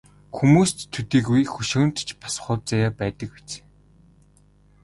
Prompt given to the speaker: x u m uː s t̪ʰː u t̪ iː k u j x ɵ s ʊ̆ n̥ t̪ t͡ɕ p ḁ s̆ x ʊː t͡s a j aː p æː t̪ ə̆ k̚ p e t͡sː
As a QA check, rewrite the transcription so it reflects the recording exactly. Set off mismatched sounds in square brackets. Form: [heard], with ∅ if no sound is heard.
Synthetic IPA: x u m uː s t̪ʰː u t̪ iː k u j x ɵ [ʃ] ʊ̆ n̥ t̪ t͡ɕ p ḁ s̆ [χ] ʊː t͡s a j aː p æː t̪ ə̆ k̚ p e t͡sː